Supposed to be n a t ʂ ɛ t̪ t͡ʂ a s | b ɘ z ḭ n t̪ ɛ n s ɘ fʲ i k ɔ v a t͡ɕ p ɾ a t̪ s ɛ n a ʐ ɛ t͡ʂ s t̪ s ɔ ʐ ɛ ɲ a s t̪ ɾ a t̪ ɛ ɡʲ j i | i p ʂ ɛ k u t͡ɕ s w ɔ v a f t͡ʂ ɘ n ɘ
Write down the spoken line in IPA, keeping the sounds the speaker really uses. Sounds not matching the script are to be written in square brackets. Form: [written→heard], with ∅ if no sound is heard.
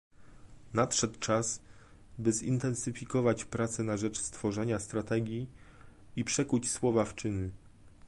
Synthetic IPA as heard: n a t ʂ ɛ t̪ t͡ʂ a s | b ɘ z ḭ n t̪ ɛ n s ɘ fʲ i k ɔ v a t͡ɕ p ɾ a t̪ s ɛ n a ʐ ɛ t͡ʂ s t̪ [s→f] ɔ ʐ ɛ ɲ a s t̪ ɾ a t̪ ɛ ɡʲ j i | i p ʂ ɛ k u t͡ɕ s w ɔ v a f t͡ʂ ɘ n ɘ

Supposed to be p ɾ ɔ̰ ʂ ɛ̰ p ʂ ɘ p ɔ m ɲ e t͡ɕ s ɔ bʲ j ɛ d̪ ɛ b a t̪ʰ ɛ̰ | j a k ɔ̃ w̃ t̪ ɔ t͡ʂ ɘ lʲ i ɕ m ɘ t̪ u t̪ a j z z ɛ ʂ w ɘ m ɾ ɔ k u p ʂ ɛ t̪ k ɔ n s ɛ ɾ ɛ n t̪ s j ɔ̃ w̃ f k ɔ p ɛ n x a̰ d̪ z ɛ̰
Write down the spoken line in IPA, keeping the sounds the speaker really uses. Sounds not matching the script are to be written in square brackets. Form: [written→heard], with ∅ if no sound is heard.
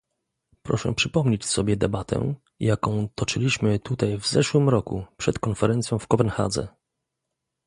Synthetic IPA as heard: p ɾ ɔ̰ ʂ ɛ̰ p ʂ ɘ p ɔ m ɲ e t͡ɕ s ɔ bʲ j ɛ d̪ ɛ b a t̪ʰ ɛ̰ | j a k ɔ̃ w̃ t̪ ɔ t͡ʂ ɘ lʲ i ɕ m ɘ t̪ u t̪ a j [z→v] z ɛ ʂ w ɘ m ɾ ɔ k u p ʂ ɛ t̪ k ɔ n [s→f] ɛ ɾ ɛ n t̪ s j ɔ̃ w̃ f k ɔ p ɛ n x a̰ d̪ z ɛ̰

